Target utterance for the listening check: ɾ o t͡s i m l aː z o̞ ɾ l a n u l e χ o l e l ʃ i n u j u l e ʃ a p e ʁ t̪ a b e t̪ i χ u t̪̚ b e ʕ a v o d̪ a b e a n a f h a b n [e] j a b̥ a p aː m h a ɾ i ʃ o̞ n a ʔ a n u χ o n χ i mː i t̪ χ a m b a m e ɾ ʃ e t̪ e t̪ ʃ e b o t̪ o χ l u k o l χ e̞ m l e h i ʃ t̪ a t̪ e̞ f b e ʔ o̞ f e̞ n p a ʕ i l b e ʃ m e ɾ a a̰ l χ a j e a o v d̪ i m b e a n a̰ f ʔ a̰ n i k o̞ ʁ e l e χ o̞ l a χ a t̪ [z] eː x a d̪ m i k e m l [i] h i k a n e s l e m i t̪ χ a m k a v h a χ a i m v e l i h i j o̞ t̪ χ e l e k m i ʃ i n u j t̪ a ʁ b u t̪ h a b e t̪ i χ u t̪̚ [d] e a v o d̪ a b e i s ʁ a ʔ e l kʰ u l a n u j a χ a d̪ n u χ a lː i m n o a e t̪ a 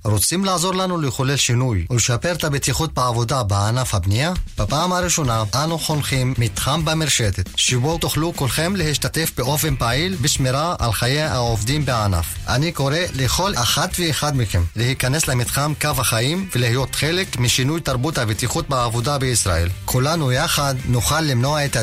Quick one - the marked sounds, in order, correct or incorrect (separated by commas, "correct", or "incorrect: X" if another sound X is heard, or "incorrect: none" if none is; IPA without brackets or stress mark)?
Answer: incorrect: i, incorrect: v, incorrect: e, incorrect: b